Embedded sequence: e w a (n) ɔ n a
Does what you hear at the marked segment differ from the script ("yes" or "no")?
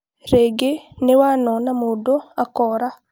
no